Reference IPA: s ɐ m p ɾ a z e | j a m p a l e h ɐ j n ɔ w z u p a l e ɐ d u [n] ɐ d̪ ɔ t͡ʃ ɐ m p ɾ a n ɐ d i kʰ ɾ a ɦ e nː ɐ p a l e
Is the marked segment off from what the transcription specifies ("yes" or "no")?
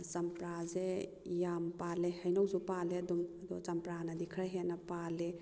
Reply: yes